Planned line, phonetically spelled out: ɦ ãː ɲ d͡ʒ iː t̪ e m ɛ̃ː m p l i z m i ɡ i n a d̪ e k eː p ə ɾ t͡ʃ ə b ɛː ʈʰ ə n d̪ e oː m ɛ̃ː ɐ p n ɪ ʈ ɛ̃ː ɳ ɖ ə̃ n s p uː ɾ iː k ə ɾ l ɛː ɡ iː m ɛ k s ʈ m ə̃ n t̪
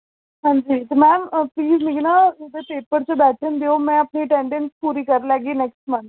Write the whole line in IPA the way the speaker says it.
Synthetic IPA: ɦ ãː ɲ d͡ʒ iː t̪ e m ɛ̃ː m p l iː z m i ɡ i n a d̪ e p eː p ə ɾ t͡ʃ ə b ɛː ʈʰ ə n d̪ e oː m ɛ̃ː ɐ p n i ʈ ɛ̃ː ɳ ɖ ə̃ n s p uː ɾ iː k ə ɾ l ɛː ɡ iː n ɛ k s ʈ m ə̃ n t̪

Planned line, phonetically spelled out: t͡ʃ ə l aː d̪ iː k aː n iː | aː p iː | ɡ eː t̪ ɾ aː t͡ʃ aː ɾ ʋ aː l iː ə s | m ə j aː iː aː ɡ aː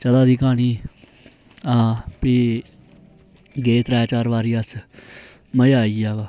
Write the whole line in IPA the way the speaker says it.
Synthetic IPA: t͡ʃ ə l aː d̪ iː k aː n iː | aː p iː | ɡ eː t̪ ɾ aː t͡ʃ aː ɾ ʋ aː ɾ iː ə s | m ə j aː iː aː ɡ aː

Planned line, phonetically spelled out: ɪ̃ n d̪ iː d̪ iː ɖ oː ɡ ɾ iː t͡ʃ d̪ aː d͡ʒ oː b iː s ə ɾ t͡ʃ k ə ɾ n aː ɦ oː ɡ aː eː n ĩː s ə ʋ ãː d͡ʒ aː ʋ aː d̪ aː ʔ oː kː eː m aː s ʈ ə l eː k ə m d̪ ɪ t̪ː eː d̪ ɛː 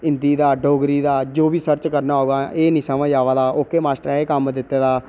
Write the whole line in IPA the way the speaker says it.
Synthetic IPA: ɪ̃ n d̪ iː d̪ aː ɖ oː ɡ ɾ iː d̪ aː d͡ʒ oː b iː s ə ɾ t͡ʃ k ə ɾ n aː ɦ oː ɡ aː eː n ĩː s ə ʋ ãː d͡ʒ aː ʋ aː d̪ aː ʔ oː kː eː m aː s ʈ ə ɾ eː k ə m d̪ ɪ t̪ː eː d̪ aː

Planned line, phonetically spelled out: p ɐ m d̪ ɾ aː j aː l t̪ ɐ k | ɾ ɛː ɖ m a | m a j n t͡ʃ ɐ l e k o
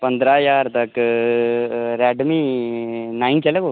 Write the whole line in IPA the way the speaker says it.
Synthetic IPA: p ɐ n d̪ ɾ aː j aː ɾ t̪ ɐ k | ɾ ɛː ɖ m i | n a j n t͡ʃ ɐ l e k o

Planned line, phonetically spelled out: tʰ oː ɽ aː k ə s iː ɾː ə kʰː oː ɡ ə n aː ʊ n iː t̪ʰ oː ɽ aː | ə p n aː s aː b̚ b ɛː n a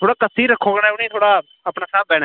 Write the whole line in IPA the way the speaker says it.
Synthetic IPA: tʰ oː ɽ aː k ə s iː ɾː ə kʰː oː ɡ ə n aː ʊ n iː t̪ʰ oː ɽ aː | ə p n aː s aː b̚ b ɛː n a

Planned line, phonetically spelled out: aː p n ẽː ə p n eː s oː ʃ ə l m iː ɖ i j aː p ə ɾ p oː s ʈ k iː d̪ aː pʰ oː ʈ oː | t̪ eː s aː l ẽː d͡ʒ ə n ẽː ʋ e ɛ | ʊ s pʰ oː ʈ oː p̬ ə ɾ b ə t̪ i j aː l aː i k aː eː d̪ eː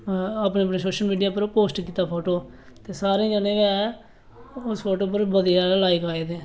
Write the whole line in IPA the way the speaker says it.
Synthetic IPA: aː p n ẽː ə p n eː s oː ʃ ə l m iː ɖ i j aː p ə ɾ p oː s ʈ k iː t̪ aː pʰ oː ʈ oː | t̪ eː s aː ɾ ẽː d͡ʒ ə n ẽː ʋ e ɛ | ʊ s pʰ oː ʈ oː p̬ ə ɾ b ə d̪ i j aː l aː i k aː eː d̪ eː

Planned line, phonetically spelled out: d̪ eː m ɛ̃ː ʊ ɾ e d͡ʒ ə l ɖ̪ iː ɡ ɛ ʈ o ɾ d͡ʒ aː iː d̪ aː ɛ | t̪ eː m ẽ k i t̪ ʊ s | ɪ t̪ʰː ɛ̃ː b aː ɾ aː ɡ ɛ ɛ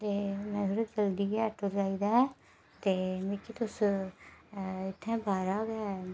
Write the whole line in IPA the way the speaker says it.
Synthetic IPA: t̪ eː m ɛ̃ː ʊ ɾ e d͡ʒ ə l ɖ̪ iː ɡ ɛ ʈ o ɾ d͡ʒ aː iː d̪ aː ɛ | t̪ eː m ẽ k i t̪ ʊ s | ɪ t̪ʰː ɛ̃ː b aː ɾ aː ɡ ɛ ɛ

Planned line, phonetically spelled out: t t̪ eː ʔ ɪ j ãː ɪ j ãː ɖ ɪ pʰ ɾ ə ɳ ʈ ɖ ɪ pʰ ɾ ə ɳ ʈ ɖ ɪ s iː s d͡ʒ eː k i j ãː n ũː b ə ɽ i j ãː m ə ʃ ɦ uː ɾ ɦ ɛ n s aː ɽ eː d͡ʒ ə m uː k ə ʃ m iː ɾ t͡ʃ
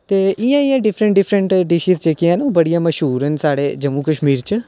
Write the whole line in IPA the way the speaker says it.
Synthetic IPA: t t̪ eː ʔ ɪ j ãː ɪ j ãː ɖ ɪ pʰ ɾ ə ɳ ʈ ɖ ɪ pʰ ɾ ə ɳ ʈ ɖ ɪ ʃ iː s d͡ʒ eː k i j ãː n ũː b ə ɽ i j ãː m ə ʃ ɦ uː ɾ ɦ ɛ n s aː ɽ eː d͡ʒ ə m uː k ə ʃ m iː ɾ t͡ʃ

